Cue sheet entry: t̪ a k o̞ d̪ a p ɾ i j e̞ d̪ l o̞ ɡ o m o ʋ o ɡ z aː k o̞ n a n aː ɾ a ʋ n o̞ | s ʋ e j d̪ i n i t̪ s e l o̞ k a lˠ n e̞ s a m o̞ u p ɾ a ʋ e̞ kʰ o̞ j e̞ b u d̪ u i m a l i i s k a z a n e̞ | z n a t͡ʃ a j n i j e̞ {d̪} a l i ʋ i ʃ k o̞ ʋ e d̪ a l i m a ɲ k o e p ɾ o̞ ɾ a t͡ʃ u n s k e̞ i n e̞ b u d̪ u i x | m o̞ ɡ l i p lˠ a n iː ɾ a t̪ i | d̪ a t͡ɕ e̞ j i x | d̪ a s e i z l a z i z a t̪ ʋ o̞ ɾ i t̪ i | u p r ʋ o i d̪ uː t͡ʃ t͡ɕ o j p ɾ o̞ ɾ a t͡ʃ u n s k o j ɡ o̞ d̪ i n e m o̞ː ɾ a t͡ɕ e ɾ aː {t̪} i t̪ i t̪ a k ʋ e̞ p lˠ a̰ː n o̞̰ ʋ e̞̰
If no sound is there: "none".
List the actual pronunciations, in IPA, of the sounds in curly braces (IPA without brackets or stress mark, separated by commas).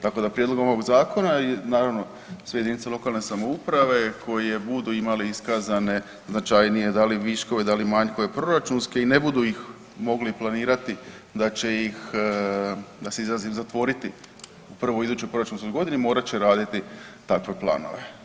d̪, d̪